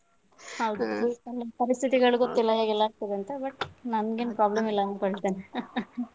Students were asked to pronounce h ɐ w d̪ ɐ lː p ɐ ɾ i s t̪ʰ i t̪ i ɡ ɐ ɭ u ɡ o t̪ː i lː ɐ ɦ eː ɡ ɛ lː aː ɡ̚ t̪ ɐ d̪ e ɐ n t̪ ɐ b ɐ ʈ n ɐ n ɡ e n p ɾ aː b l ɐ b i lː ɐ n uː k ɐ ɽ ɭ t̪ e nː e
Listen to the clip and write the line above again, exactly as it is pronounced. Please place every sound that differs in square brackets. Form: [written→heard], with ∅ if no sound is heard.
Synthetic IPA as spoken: h ɐ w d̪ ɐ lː p ɐ ɾ i s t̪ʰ i t̪ i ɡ ɐ ɭ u ɡ o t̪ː i lː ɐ ɦ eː ɡ ɛ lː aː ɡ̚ t̪ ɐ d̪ e ɐ n t̪ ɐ b ɐ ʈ n ɐ n ɡ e n p ɾ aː b l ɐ [b→m] i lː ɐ n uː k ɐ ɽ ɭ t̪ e [nː→n] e